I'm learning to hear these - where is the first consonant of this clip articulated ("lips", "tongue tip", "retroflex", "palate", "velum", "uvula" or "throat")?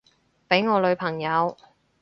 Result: lips